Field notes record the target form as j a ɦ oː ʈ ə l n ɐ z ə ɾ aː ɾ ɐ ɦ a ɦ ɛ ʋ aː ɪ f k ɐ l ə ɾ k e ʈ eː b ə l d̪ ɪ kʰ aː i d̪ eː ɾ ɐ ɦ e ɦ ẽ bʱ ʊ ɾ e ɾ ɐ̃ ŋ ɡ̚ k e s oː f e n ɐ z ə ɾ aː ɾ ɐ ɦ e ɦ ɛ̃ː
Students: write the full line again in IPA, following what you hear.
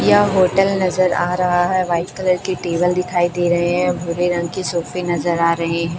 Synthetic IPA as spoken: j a ɦ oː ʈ ə l n ɐ z ə ɾ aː ɾ ɐ ɦ a ɦ ɛ ʋ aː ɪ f k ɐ l ə ɾ k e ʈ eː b ə l d̪ ɪ kʰ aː i d̪ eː ɾ ɐ ɦ e ɦ ɛ̃ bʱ ʊ ɾ e ɾ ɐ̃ ŋ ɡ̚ k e s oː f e n ɐ z ə ɾ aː ɾ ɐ ɦ e ɦ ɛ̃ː

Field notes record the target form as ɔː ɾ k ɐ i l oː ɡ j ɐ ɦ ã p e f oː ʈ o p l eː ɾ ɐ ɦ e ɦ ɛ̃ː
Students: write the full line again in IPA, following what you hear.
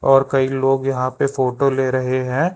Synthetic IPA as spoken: ɔː ɾ k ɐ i l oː ɡ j ɐ ɦ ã p e f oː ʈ o l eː ɾ ɐ ɦ e ɦ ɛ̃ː

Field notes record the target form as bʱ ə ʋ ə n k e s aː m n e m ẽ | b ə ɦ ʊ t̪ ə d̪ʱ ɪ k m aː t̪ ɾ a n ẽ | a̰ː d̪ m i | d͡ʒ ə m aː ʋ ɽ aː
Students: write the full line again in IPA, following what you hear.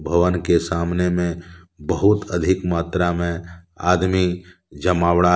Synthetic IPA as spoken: bʱ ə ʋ ə n k e s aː m n e m ẽ | b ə ɦ ʊ t̪ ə d̪ʱ ɪ k m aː t̪ ɾ a m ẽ | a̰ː d̪ m i | d͡ʒ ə m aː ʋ ɽ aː

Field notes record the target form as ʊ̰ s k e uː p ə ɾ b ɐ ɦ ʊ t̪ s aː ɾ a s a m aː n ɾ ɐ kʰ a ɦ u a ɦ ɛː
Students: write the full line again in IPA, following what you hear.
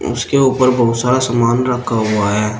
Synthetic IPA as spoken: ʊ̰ s k e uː p ə ɾ b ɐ ɦ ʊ t̪ s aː ɾ a s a m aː n ɾ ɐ kʰ a ɦ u a ɦ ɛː

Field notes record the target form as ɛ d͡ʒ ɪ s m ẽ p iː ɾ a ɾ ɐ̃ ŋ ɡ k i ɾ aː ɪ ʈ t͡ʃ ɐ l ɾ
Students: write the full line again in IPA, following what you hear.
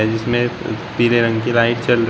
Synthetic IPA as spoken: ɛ d͡ʒ ɪ s m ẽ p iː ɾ e ɾ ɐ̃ ŋ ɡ k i l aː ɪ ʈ t͡ʃ ɐ l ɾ

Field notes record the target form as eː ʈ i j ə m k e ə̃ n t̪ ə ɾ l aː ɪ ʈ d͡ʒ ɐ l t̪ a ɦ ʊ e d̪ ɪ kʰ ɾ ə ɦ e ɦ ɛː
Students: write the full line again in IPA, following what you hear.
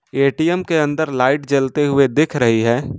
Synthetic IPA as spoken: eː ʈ i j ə m k e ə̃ n d̪ ə ɾ l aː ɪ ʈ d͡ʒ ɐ l t̪ e ɦ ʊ e d̪ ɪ kʰ ɾ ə ɦ i ɦ ɛː

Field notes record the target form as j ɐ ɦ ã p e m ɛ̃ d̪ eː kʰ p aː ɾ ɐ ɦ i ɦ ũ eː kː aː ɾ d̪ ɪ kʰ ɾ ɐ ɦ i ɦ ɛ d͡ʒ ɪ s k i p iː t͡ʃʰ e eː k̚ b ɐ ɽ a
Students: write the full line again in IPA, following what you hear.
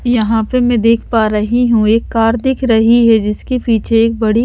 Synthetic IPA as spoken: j ɐ ɦ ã p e m ɛ̃ d̪ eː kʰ p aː ɾ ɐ ɦ i ɦ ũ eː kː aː ɾ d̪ ɪ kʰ ɾ ɐ ɦ i ɦ ɛ d͡ʒ ɪ s k i p iː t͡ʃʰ e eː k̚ b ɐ ɽ i

